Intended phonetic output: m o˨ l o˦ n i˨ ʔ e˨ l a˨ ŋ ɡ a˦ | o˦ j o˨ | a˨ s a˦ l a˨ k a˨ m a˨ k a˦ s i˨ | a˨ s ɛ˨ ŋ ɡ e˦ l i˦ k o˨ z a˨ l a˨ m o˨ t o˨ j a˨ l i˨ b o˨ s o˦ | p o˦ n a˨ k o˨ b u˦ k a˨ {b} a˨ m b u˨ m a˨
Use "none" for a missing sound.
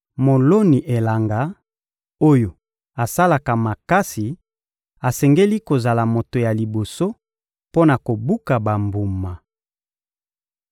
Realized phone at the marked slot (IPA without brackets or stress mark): b